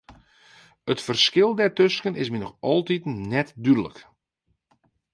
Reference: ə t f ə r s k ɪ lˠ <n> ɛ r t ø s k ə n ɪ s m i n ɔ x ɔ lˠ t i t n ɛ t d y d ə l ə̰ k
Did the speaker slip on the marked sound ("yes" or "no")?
yes